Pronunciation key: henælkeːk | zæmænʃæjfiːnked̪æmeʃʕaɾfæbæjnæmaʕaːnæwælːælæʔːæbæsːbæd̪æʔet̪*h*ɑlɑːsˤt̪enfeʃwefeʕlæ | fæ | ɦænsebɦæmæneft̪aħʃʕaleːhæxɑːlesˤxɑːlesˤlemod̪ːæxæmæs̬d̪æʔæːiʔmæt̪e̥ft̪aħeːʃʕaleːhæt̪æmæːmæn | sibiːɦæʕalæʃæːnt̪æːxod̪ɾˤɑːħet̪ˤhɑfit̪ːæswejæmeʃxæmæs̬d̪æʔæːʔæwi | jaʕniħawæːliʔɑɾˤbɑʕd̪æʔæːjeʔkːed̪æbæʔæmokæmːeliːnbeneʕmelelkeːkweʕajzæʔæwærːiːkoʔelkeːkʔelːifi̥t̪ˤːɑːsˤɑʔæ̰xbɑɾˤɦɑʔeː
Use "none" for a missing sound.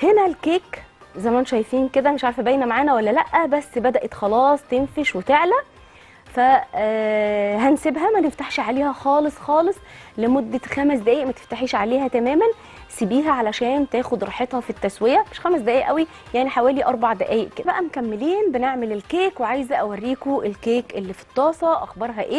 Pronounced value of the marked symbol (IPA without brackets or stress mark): x